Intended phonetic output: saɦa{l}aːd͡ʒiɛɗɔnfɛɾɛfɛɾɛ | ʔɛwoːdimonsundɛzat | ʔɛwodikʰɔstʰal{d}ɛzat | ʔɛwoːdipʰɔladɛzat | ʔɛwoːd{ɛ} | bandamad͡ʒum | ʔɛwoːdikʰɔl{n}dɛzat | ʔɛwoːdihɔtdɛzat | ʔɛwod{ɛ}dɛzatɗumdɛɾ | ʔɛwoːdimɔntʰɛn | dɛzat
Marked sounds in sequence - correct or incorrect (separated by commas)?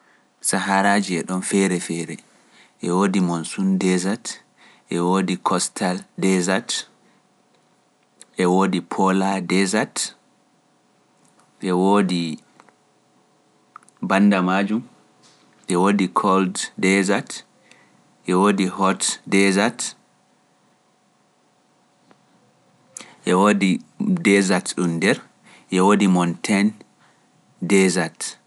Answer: incorrect, correct, incorrect, incorrect, incorrect